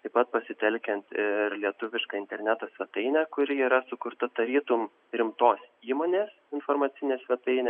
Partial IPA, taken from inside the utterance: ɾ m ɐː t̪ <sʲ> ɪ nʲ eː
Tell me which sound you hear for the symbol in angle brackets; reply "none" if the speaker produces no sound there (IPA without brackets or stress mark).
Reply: sʲ